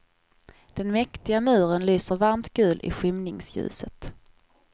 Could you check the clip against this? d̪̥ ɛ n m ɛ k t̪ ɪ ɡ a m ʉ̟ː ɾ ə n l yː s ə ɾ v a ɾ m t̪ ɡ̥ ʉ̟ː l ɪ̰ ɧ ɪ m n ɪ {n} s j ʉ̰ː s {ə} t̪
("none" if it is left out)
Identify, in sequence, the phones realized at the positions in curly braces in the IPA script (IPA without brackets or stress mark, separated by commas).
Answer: ŋ, ə